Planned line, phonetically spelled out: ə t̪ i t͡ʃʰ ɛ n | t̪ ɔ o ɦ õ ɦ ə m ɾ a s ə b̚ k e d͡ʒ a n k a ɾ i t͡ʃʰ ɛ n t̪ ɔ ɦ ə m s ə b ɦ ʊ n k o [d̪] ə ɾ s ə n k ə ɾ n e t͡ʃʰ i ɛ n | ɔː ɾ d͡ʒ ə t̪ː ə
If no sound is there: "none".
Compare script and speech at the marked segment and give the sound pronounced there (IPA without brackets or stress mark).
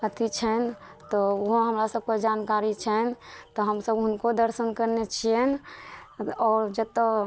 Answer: d̪